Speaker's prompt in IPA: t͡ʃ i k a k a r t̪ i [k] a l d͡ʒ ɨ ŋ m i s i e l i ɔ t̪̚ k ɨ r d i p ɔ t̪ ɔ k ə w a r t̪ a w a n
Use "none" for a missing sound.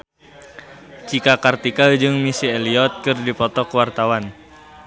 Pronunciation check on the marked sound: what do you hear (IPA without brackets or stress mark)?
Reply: k